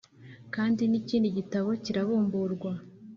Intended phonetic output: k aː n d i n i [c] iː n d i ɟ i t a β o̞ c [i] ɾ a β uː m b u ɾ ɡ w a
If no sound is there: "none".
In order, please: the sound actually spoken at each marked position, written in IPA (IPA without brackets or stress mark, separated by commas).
c, i